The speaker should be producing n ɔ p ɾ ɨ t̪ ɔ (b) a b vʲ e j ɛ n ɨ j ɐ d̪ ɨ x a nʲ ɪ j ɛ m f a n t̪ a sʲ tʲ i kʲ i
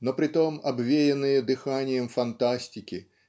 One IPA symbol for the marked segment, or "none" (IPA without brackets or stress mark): m